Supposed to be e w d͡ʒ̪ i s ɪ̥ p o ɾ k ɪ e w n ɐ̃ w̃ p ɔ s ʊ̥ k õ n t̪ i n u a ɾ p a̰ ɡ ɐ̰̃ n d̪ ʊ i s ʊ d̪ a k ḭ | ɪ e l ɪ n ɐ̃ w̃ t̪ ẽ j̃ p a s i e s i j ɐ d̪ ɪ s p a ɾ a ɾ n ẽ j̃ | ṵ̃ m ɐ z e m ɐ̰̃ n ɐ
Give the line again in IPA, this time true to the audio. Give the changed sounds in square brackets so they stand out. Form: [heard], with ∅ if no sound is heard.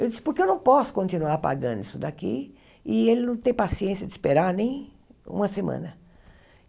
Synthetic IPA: e w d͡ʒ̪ i s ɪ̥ p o ɾ k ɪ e w n ɐ̃ w̃ p ɔ s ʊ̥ k õ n t̪ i n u a ɾ p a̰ ɡ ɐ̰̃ n d̪ ʊ i s ʊ d̪ a k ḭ | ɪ e l ɪ n ɐ̃ w̃ t̪ ẽ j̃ p a s i [ẽ] s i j ɐ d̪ ɪ s p [e] ɾ a ɾ n ẽ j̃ | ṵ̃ m ɐ [s] e m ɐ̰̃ n ɐ